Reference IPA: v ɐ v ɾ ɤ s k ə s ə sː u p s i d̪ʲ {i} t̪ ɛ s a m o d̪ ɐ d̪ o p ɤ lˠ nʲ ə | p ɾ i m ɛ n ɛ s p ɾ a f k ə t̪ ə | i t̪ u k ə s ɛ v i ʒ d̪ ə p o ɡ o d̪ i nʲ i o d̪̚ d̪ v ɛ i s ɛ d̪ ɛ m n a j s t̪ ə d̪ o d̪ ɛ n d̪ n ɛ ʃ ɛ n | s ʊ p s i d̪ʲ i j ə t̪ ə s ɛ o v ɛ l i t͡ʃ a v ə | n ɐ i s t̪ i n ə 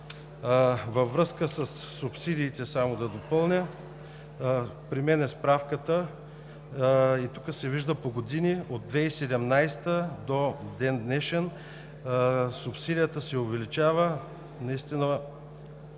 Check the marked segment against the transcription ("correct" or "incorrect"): incorrect